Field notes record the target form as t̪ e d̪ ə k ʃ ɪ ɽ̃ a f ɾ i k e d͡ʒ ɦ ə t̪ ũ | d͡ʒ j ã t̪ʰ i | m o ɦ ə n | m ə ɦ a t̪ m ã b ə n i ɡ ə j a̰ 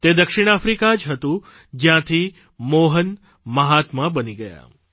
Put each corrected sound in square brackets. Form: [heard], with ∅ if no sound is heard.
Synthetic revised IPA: t̪ e d̪ ə k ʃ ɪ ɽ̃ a f ɾ i k [a] d͡ʒ ɦ ə t̪ ũ | d͡ʒ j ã t̪ʰ i | m o ɦ ə n | m ə ɦ a t̪ m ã b ə n i ɡ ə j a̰